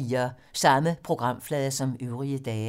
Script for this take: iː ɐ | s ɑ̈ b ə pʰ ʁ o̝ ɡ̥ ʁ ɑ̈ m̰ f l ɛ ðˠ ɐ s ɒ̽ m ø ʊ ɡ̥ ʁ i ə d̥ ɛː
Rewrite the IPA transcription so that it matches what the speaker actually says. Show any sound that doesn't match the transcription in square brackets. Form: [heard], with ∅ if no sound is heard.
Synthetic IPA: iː ɐ | s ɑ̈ [m] ə pʰ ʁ o̝ ɡ̥ ʁ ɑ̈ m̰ f l ɛ ðˠ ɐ s ɒ̽ m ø ʊ [∅] ʁ i ə d̥ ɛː